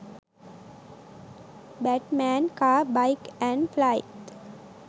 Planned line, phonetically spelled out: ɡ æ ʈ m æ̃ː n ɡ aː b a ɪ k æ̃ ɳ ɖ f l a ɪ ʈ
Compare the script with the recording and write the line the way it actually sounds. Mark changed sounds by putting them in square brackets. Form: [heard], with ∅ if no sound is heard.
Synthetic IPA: [b] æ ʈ m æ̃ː n [k] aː b a ɪ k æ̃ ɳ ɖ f l a ɪ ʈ